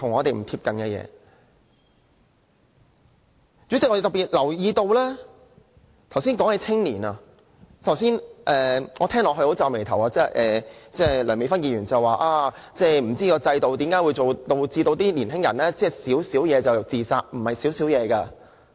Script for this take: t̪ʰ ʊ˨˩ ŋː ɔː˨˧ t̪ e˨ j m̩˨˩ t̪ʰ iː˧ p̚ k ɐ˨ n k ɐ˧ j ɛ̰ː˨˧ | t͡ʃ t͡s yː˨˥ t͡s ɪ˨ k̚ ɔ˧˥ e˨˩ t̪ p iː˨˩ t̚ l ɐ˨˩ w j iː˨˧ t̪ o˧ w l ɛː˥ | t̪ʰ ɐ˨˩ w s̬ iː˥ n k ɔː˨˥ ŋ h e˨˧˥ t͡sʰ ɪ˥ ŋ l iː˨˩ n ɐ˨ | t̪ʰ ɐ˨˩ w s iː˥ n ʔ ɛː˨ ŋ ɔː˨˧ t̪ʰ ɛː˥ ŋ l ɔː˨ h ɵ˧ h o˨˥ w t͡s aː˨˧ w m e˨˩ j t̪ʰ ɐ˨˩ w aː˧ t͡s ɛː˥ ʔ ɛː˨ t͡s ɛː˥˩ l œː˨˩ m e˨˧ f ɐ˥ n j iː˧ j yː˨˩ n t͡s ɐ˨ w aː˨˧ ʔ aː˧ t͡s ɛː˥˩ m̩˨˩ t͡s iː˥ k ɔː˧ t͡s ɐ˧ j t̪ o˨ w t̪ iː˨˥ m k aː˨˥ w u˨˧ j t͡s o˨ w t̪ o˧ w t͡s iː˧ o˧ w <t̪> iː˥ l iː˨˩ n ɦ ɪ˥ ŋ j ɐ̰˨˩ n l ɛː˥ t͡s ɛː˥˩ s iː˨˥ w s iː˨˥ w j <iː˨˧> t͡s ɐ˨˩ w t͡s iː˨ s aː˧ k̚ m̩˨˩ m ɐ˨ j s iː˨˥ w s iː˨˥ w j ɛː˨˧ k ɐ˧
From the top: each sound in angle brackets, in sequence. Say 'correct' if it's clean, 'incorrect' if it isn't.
correct, incorrect: ɛː˨˧

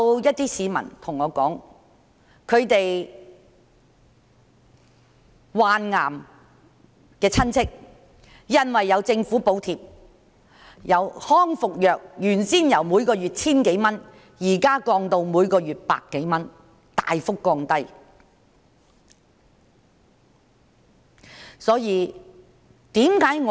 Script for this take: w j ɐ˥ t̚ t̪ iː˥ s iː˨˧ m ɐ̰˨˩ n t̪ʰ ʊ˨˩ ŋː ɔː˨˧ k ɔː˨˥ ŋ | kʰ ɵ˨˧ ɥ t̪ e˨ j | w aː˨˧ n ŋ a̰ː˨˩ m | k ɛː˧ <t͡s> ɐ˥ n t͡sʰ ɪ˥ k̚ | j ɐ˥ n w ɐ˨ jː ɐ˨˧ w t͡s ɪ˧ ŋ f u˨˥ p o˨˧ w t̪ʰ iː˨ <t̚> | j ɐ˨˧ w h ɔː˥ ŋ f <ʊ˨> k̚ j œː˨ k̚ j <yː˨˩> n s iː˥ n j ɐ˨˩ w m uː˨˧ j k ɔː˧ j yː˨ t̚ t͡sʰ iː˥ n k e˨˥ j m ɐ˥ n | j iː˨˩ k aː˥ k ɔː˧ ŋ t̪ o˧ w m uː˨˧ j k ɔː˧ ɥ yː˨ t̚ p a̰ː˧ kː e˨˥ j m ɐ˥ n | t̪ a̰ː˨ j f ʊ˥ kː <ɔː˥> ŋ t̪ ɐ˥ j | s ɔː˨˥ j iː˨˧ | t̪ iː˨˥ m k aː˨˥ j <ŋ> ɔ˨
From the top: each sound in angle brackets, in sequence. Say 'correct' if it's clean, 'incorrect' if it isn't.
incorrect: t͡sʰ, incorrect: p̚, correct, correct, incorrect: ɔː˧, correct

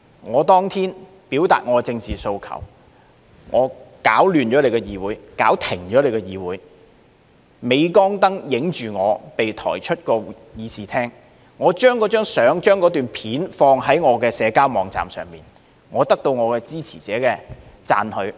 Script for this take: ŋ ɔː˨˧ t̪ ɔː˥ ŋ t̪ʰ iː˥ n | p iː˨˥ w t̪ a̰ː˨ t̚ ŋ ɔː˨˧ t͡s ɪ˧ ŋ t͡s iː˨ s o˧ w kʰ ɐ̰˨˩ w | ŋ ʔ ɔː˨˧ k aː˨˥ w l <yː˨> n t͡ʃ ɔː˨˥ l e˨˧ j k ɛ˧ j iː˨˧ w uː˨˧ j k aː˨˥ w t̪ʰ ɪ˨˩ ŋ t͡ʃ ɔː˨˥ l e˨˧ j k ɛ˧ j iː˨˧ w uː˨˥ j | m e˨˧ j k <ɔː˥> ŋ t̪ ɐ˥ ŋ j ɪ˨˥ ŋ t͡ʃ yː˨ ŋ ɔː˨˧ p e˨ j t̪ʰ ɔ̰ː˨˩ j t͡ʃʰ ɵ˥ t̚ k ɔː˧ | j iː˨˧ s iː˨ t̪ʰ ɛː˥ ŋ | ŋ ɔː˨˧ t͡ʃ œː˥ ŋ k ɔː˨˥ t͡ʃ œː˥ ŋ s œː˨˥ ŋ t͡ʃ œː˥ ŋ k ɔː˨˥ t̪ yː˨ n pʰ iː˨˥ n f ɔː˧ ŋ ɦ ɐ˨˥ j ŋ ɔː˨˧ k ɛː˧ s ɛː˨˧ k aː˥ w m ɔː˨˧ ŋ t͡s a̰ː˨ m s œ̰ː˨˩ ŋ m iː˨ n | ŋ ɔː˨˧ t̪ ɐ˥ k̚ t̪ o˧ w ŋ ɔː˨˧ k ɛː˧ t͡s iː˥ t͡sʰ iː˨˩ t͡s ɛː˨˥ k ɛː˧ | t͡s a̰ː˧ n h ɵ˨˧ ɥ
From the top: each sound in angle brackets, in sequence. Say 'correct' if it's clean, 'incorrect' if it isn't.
correct, correct

